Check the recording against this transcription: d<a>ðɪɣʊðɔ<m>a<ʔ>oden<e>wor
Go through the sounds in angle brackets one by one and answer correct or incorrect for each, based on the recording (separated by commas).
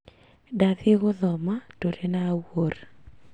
correct, correct, incorrect, incorrect